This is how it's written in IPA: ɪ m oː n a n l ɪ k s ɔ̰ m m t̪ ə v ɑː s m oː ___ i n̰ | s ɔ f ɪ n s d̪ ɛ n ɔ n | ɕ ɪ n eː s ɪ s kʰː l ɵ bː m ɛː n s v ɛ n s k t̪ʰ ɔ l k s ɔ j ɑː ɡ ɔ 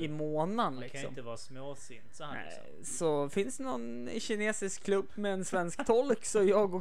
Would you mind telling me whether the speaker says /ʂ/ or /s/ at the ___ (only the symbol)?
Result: s